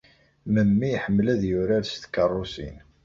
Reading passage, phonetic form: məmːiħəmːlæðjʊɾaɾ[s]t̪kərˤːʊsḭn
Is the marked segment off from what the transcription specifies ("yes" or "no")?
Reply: no